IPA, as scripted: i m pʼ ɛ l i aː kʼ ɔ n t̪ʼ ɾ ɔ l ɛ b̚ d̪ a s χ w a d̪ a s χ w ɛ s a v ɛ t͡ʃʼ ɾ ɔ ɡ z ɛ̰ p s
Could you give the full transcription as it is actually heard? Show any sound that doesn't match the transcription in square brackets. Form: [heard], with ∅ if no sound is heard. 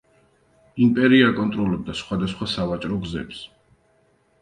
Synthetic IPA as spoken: i m pʼ ɛ [ɾ] i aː kʼ ɔ n t̪ʼ ɾ ɔ l ɛ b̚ d̪ a s χ w a d̪ a s χ w [a] s a v [a] t͡ʃʼ ɾ ɔ ɡ z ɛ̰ p s